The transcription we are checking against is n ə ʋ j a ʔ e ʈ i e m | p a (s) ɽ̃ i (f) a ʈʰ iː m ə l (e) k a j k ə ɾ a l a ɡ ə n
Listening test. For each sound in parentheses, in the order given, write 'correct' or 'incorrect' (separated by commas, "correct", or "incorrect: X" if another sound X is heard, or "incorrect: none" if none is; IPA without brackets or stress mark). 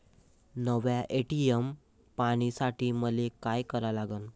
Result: incorrect: none, incorrect: s, correct